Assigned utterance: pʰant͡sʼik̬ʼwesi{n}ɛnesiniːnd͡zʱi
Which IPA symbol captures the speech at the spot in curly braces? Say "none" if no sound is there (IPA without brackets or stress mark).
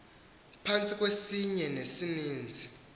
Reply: ɲ